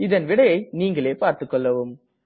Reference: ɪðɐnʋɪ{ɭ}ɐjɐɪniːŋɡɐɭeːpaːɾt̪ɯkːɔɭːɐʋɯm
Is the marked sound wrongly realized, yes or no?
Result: yes